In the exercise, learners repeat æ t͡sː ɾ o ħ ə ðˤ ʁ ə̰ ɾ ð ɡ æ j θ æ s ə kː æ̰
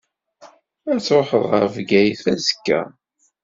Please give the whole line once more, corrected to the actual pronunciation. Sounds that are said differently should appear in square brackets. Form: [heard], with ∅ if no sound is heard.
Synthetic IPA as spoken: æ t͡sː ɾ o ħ ə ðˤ ʁ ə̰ ɾ [v] ɡ æ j θ æ [z] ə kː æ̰